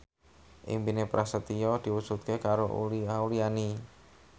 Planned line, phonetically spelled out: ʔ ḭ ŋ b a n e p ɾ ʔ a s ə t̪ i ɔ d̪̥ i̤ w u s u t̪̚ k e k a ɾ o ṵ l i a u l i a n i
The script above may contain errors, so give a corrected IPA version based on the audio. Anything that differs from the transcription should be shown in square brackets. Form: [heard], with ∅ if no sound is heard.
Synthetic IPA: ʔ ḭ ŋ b [i] n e p ɾ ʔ a s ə t̪ i ɔ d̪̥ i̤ w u s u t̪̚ k e k a ɾ o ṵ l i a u l i a n i